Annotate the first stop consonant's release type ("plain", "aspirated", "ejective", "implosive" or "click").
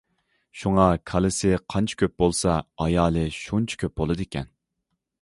aspirated